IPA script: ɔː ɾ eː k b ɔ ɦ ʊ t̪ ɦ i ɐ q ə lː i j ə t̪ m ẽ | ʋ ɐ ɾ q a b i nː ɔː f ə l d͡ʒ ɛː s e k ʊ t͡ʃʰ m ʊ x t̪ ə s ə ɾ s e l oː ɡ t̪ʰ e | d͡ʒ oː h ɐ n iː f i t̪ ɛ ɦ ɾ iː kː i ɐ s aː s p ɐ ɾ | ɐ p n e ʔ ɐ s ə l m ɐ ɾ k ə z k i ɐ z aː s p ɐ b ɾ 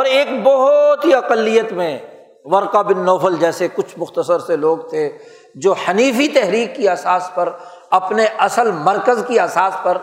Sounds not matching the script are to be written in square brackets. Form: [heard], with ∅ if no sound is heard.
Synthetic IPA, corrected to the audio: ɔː ɾ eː k b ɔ ɦ ʊ t̪ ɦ i ɐ q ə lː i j ə t̪ m ẽ | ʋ ɐ ɾ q a b [ɪ] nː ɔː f ə l d͡ʒ ɛː s e k ʊ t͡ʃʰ m ʊ x t̪ ə s ə ɾ s e l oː ɡ t̪ʰ e | d͡ʒ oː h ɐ n iː f i t̪ ɛ ɦ ɾ iː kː i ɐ s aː s p ɐ ɾ | ɐ p n e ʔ ɐ s ə l m ɐ ɾ k ə z k i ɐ [s] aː s p ɐ [∅] ɾ